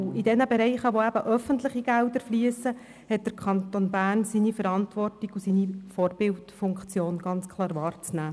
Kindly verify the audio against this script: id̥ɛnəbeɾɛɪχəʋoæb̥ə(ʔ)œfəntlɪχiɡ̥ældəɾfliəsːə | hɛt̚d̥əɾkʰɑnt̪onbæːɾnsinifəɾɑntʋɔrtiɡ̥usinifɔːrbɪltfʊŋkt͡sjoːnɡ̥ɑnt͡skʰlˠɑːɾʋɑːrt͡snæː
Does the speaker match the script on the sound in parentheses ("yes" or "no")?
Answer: yes